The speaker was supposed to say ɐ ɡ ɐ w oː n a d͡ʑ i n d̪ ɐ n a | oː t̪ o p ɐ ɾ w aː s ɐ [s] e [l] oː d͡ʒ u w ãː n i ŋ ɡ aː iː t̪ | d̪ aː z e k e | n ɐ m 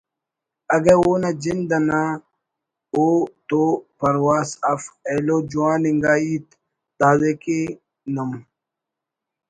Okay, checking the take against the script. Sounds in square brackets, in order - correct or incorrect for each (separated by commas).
incorrect, correct